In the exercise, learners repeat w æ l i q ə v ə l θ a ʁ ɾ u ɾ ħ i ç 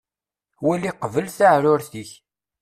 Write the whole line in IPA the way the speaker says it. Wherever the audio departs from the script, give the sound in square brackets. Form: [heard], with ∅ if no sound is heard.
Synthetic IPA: w æ l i q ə v ə l θ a [ʕ] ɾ [ʊ] ɾ [θ] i ç